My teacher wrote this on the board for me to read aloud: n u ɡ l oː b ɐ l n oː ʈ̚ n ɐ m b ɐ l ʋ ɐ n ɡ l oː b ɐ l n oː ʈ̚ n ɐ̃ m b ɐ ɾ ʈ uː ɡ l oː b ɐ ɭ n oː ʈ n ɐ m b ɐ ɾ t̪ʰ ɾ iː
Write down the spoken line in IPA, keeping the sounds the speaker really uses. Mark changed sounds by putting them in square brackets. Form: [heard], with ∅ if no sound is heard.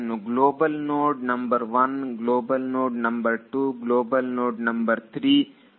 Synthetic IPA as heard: n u ɡ l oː b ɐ l n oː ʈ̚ n ɐ m b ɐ [ɾ] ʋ ɐ n ɡ l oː b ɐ l n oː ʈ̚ n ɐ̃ m b ɐ ɾ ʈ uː ɡ l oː b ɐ [l] n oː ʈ n ɐ m b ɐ ɾ t̪ʰ ɾ iː